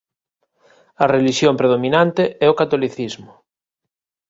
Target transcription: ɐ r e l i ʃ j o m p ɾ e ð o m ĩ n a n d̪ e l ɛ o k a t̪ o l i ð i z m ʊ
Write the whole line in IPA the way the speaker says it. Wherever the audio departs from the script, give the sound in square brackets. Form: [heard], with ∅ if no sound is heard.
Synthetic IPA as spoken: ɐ r e l i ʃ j o m p ɾ e ð o m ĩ n a n [t̪] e [∅] ɛ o k a t̪ o l i [θ] i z m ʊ